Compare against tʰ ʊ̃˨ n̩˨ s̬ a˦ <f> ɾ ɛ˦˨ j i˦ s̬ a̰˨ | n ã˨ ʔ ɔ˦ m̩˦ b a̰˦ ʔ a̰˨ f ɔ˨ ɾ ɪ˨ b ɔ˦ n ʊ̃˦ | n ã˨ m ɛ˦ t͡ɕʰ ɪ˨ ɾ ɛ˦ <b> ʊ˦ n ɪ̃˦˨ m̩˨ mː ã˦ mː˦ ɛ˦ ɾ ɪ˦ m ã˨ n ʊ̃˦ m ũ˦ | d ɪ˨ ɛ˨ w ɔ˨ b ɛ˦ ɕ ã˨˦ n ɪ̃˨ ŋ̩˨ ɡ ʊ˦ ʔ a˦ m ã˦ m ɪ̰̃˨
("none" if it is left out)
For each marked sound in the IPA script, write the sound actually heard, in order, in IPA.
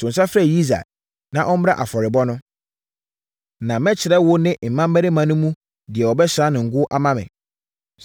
f, w

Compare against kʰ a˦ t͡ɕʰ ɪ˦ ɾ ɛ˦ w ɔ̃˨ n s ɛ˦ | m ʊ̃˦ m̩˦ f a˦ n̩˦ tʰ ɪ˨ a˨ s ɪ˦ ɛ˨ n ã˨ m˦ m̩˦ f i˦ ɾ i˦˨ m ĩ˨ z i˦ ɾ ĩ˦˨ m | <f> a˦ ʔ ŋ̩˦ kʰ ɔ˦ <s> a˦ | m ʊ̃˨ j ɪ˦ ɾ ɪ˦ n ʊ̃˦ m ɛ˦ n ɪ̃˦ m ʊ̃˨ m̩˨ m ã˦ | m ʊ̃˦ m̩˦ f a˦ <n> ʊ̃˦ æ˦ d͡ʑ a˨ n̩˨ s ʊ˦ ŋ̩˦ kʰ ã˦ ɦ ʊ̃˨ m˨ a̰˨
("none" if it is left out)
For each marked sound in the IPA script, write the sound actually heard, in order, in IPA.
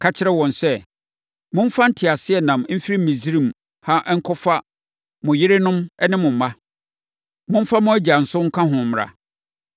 h, f, m

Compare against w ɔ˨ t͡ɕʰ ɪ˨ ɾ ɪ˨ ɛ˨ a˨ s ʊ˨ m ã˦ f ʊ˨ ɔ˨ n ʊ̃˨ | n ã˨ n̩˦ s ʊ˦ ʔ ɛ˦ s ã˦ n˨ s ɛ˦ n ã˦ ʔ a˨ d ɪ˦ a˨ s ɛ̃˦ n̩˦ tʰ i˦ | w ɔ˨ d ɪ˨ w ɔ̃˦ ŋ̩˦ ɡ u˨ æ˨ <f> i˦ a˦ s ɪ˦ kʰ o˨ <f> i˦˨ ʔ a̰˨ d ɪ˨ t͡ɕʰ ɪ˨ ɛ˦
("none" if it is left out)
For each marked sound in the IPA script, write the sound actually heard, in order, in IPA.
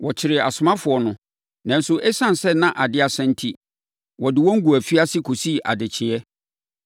f, s

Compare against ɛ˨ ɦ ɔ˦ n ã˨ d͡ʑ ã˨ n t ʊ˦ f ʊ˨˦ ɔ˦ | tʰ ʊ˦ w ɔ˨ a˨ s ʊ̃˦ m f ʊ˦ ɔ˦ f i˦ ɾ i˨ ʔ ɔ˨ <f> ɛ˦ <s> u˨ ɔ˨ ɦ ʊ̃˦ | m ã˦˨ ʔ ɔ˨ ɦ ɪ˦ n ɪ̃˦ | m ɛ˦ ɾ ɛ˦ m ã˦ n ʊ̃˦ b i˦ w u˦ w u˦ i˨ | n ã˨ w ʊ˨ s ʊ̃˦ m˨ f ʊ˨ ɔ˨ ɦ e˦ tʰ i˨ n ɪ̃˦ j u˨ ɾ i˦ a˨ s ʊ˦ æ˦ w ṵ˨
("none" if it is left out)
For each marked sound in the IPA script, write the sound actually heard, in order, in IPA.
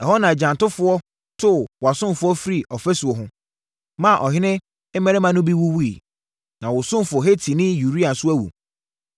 f, s

